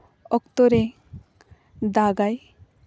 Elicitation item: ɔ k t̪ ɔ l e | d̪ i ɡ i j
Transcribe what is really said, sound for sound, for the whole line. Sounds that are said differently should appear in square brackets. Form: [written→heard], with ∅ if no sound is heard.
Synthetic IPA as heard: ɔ k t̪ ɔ [l→ɾ] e | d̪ [i→a] ɡ [i→a] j